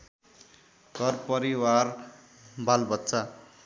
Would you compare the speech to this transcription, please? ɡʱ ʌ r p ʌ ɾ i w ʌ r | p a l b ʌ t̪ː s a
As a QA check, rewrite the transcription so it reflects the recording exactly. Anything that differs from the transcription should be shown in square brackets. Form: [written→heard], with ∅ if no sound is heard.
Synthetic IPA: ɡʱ ʌ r p ʌ ɾ i w [ʌ→a] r | [p→b] a l b ʌ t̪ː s a